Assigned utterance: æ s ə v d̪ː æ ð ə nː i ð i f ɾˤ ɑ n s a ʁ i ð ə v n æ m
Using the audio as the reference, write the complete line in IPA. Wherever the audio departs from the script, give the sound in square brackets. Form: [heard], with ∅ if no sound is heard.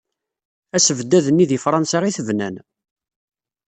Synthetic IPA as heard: æ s ə v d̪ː æ ð ə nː i ð i f ɾˤ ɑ n s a ʁ i [θ] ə v n æ [n]